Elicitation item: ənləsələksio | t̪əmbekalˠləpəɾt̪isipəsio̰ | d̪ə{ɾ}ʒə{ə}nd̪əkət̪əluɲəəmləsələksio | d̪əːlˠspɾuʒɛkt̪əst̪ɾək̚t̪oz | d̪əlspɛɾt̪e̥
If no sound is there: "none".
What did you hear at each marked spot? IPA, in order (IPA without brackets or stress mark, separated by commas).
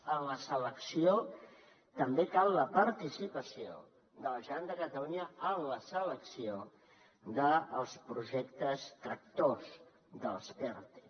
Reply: l, a